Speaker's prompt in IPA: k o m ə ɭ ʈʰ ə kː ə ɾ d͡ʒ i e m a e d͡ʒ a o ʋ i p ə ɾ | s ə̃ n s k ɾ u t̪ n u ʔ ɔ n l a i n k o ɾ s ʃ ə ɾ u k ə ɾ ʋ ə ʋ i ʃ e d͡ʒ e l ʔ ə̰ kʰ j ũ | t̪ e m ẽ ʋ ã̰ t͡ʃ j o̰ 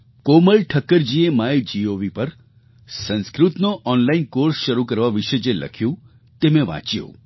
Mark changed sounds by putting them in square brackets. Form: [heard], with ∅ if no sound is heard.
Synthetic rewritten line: k o m ə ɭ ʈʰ ə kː ə ɾ d͡ʒ i e m a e d͡ʒ [i] o ʋ i p ə ɾ | s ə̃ n s k ɾ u t̪ n [o] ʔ ɔ n l a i n k o ɾ s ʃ ə ɾ u k ə ɾ ʋ [a] ʋ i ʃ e d͡ʒ e l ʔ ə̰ kʰ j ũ | t̪ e m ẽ ʋ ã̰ t͡ʃ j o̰